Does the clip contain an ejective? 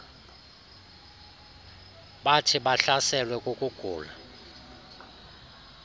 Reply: yes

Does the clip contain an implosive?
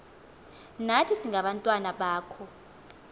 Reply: yes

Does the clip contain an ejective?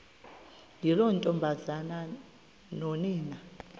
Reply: yes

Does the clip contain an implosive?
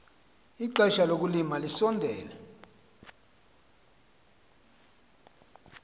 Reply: no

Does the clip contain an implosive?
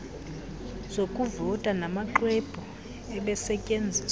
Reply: yes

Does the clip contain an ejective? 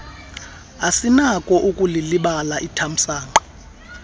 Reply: yes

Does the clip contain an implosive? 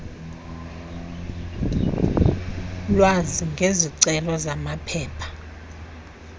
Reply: no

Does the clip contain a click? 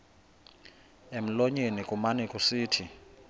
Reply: no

